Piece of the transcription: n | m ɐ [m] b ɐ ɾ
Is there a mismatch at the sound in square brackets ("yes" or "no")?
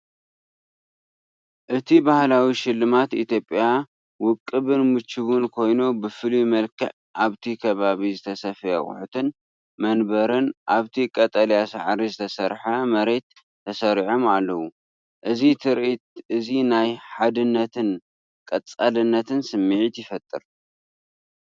yes